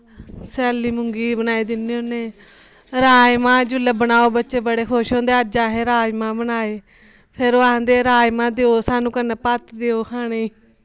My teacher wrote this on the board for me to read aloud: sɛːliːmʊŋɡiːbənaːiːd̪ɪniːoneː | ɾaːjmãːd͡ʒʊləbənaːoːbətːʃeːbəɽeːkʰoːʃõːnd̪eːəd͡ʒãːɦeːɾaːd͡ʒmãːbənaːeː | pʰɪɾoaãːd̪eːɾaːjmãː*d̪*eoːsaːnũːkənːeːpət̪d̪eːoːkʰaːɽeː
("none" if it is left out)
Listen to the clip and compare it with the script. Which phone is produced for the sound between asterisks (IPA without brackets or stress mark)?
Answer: d̪